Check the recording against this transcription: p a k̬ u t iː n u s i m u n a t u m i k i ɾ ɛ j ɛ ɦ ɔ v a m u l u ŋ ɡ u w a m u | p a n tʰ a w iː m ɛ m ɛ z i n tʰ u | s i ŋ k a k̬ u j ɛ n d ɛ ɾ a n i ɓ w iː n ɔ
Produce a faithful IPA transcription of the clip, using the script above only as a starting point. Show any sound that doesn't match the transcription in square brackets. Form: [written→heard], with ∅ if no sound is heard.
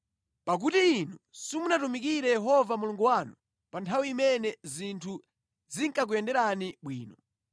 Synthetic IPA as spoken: p a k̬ u t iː n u s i m u n a t u m i k i ɾ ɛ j ɛ ɦ ɔ v a m u l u ŋ ɡ u w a [m→n] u | p a n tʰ a w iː m ɛ [m→n] ɛ z i n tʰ u | [s→z] i ŋ k a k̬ u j ɛ n d ɛ ɾ a n i ɓ w iː n ɔ